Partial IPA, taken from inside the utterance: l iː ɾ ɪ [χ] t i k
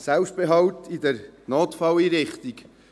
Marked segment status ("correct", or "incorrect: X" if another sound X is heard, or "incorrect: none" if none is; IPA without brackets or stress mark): correct